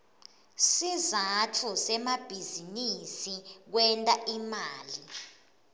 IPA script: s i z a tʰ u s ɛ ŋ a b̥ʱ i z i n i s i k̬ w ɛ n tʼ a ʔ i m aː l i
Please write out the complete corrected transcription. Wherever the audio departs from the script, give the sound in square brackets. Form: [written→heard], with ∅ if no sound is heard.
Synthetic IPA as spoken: s i z a tʰ u s ɛ [ŋ→m] a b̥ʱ i z i n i s i k̬ w ɛ n tʼ a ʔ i m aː l i